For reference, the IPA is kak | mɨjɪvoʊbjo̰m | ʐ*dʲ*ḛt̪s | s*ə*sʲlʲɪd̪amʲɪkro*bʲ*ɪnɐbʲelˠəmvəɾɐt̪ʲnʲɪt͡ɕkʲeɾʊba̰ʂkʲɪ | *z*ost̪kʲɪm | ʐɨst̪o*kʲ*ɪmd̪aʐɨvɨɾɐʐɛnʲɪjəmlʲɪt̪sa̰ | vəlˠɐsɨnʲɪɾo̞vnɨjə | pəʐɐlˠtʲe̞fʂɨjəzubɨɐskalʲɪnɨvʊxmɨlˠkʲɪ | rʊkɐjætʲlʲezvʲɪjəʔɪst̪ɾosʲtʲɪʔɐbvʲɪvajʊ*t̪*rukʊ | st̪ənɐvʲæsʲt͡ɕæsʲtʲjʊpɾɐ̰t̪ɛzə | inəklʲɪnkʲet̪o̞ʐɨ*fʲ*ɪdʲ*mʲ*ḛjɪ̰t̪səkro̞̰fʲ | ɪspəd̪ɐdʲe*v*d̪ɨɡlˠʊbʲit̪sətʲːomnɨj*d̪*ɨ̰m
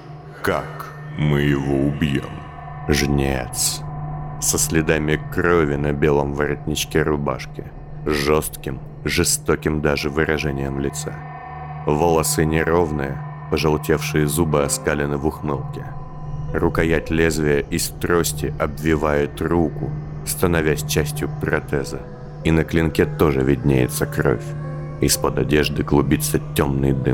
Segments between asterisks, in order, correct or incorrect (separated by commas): incorrect, correct, incorrect, incorrect, correct, correct, incorrect, incorrect, incorrect, correct